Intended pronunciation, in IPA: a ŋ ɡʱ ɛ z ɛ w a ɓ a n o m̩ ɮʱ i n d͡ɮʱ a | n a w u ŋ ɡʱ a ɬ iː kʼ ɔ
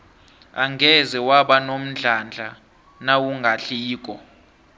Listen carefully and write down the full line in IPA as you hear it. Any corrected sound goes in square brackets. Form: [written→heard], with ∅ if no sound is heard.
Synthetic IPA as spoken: a ŋ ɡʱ ɛ z ɛ w a ɓ a n o m̩ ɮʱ [i→a] n d͡ɮʱ a | n a w u ŋ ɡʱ a ɬ iː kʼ ɔ